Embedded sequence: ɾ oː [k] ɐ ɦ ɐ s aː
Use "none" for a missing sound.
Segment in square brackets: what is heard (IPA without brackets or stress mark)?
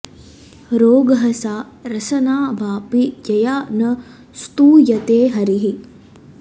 ɡ